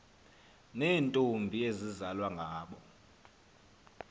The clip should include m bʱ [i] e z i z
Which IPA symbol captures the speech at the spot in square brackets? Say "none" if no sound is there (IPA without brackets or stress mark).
i